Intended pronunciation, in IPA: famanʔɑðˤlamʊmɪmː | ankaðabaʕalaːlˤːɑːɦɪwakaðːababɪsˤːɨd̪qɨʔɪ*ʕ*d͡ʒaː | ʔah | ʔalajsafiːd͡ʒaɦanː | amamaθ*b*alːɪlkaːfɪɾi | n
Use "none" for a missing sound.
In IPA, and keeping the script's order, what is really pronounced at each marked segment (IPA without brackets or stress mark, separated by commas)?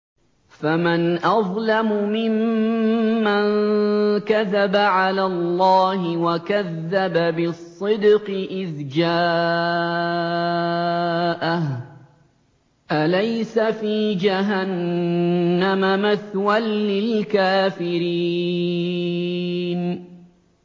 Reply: ð, w